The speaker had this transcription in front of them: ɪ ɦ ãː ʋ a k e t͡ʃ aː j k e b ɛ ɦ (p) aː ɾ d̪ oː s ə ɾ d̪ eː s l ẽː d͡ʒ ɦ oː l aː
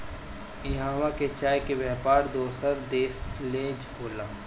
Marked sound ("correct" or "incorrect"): correct